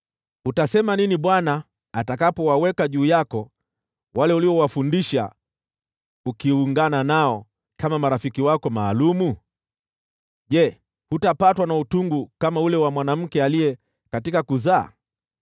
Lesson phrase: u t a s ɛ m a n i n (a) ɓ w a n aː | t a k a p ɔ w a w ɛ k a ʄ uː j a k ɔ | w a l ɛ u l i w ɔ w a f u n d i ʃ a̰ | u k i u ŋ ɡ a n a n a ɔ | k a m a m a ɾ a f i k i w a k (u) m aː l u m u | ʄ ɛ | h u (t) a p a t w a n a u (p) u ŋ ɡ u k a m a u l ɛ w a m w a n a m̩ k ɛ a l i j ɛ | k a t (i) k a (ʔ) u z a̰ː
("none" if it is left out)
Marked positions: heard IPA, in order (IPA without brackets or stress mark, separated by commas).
i, ɔ, t, t, i, k